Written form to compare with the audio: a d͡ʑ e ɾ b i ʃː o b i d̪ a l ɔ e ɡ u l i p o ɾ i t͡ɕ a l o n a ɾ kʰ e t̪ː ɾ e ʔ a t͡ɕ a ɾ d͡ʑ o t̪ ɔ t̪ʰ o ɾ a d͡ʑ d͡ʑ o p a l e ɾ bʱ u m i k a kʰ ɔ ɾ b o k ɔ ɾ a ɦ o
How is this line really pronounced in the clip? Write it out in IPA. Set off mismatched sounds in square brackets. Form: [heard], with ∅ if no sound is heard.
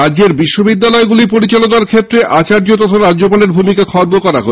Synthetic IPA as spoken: a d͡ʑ e ɾ b i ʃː o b i [d̪ː] a l ɔ e ɡ u l i p o ɾ i t͡ɕ a l o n a ɾ kʰ e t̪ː ɾ e ʔ a t͡ɕ a ɾ d͡ʑ o t̪ ɔ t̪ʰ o ɾ a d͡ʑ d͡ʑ o p a l e ɾ bʱ u m i k a kʰ ɔ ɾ b o k ɔ ɾ a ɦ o